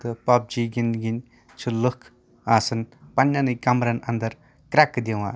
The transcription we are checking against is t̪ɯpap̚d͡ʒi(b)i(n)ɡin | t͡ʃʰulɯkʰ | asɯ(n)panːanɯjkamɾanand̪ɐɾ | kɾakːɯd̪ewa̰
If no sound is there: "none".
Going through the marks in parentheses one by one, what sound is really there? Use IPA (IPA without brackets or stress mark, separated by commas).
ɡ, n, n